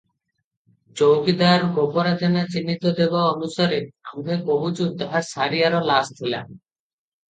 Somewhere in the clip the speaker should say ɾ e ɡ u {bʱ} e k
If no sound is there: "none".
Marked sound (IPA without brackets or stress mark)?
bʱ